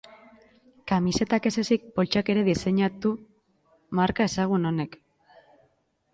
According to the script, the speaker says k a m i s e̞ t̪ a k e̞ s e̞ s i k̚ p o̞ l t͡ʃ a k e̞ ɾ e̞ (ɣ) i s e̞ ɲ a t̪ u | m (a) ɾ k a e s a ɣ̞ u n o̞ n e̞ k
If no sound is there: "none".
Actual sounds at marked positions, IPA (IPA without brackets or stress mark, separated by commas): ð, a